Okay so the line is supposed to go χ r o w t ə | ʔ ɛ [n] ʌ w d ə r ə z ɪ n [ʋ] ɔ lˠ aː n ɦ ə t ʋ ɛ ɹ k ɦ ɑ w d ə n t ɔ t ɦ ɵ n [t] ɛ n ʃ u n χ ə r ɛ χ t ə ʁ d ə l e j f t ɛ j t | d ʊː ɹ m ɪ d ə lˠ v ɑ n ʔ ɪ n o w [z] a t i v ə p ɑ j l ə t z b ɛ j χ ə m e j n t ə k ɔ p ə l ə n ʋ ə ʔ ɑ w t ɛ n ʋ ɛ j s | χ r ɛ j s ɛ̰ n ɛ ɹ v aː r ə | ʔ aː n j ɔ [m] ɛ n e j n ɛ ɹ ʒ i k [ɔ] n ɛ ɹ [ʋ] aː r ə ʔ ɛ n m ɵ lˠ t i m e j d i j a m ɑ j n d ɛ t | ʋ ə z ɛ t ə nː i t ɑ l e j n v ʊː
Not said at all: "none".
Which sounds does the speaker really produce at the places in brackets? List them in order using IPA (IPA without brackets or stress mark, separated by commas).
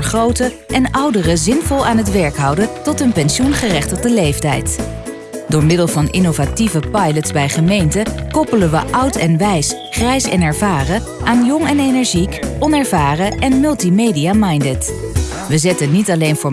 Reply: n, v, p, v, ŋ, ɔ, v